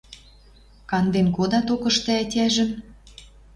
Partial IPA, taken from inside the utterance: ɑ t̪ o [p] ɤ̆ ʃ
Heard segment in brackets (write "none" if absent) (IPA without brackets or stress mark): k